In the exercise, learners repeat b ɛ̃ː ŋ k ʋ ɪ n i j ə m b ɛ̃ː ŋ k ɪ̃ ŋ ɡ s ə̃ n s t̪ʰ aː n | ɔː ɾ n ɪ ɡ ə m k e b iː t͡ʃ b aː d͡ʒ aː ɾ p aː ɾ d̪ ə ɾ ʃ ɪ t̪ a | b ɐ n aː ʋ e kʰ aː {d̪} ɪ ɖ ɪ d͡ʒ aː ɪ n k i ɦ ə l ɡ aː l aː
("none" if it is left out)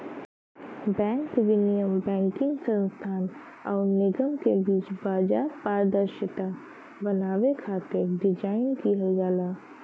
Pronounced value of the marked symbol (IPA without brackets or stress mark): t̪